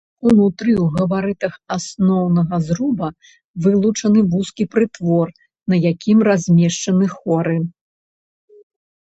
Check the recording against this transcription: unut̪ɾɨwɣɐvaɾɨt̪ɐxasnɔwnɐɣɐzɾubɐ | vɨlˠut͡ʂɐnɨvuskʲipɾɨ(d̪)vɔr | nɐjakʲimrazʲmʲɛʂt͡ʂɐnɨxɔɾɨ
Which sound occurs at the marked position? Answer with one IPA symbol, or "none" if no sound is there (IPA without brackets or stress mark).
t̪